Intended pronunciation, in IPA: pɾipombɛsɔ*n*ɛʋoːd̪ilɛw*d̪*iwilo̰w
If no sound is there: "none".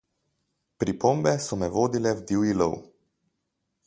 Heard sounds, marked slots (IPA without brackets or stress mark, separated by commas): m, d̪